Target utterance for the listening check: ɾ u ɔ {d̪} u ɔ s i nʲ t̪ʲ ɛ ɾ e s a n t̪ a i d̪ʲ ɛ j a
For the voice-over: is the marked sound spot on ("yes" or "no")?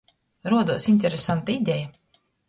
yes